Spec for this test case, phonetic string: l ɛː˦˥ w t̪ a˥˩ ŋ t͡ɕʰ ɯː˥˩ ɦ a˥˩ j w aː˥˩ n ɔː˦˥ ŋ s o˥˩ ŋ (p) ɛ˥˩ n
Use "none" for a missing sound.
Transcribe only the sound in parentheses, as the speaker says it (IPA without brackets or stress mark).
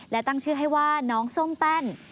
p